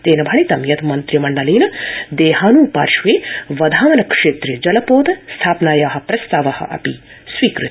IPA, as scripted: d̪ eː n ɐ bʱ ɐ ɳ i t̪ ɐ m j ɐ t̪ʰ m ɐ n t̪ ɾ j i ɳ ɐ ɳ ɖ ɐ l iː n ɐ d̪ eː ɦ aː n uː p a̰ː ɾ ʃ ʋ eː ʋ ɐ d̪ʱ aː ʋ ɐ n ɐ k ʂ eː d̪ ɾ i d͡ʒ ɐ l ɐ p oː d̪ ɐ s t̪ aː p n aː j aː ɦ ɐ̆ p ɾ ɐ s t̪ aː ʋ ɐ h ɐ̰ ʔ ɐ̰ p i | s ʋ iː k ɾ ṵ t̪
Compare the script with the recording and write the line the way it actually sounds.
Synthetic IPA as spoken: t̪ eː n ɐ bʱ ɐ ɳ i t̪ ɐ m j ɐ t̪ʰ m ɐ n t̪ ɾ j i m ɐ ɳ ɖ ɐ l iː n ɐ d̪ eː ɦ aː n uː p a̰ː ɾ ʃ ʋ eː ʋ ɐ d̪ʱ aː ʋ ɐ n ɐ k ʂ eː t̪ ɾ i d͡ʒ ɐ l ɐ p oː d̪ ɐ s t̪ʰ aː p n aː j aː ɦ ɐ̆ p ɾ ɐ s t̪ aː ʋ ɐ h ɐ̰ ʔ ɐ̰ p i | s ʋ iː k ɾ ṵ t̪

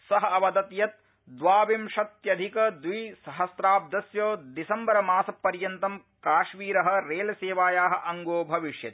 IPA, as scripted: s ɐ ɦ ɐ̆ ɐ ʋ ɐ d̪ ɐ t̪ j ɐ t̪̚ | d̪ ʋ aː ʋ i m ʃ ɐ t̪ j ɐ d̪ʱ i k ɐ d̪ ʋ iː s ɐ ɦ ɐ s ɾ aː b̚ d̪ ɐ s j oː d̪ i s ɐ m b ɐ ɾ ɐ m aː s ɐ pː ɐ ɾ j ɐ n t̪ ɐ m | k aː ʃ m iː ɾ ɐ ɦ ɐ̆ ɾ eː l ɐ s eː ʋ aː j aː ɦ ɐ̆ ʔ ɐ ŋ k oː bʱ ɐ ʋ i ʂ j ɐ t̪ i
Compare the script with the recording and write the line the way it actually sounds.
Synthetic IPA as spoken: s ɐ ɦ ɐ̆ ɐ ʋ ɐ d̪ ɐ t̪ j ɐ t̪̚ | d̪ ʋ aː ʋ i m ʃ ɐ t̪ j ɐ d̪ʱ i k ɐ d̪ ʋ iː s ɐ ɦ ɐ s ɾ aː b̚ d̪ ɐ s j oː d̪ i s ɐ m b ɐ ɾ ɐ m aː s ɐ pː ɐ ɾ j ɐ n t̪ ɐ m | k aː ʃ m iː ɾ ɐ ɦ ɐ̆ ɾ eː l ɐ s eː ʋ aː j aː ɦ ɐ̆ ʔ ɐ ŋ ɡ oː bʱ ɐ ʋ i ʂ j ɐ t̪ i

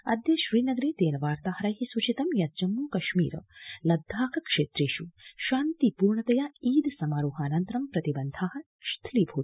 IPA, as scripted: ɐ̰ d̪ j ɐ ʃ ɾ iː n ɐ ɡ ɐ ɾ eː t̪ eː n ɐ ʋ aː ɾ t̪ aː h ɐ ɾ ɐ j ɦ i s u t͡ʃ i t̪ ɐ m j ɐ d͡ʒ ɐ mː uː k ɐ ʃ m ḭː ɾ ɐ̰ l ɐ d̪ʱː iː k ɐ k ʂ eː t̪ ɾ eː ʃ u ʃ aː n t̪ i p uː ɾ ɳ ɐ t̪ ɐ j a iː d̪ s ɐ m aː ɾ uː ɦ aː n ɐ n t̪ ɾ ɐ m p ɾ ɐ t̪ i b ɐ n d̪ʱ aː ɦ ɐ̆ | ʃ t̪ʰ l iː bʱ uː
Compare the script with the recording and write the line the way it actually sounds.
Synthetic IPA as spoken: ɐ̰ d̪ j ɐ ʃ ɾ iː n ɐ ɡ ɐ ɾ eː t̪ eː n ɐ ʋ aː ɾ t̪ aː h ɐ ɾ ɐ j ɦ i s u t͡ʃ i t̪ ɐ m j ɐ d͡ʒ ɐ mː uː k ɐ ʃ m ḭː ɾ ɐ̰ l ɐ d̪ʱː aː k ɐ k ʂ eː t̪ ɾ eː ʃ u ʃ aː n t̪ i p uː ɾ ɳ ɐ t̪ ɐ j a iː d̪ s ɐ m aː ɾ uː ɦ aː n ɐ n t̪ ɾ ɐ m p ɾ ɐ t̪ i b ɐ n d̪ʱ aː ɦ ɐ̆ | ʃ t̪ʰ l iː bʱ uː

